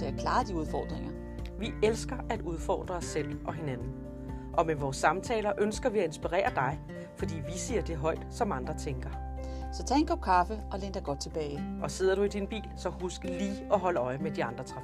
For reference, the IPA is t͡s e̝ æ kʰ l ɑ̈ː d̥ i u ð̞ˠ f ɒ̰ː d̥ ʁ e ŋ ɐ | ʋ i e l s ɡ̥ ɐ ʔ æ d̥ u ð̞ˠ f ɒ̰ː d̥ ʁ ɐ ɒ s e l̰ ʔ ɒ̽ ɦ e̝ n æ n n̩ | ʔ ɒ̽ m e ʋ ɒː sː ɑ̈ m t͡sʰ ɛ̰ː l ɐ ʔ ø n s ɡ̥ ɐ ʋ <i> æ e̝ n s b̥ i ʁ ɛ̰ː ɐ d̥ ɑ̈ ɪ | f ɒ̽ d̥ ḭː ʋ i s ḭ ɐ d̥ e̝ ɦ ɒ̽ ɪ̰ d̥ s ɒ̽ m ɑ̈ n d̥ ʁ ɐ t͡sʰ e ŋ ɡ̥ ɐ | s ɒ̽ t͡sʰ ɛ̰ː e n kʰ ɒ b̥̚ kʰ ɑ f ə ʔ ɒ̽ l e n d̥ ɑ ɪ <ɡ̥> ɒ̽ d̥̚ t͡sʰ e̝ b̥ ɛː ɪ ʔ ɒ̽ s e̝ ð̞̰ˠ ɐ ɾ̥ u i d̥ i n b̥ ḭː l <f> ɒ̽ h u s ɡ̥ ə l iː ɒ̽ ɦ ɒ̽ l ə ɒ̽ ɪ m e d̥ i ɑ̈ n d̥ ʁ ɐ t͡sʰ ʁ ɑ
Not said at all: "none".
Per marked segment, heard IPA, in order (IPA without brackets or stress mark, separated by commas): i, ɡ̥, s